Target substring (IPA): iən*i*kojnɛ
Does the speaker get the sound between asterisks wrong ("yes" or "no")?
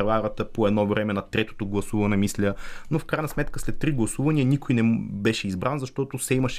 no